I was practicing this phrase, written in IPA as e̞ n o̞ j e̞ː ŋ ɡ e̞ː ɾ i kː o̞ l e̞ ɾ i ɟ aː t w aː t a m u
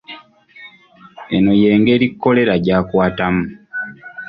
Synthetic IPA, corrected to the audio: e̞ n o̞ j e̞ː ŋ ɡ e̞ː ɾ i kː o̞ l e̞ ɾ a ɟ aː k w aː t a m u